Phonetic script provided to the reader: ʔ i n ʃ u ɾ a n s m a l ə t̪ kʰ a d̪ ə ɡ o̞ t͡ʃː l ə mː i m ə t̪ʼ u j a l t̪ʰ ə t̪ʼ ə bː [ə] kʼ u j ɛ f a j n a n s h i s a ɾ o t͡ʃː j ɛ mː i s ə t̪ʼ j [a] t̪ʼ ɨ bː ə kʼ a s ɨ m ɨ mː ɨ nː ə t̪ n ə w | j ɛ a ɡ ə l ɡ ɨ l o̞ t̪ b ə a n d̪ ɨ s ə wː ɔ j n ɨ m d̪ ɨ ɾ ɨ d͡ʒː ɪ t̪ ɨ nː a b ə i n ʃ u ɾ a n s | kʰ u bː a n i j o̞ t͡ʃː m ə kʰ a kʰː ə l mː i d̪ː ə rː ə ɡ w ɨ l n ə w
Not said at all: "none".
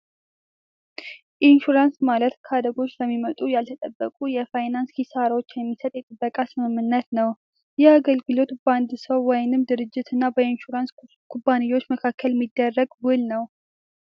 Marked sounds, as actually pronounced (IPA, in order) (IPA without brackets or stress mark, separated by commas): ə, ɛ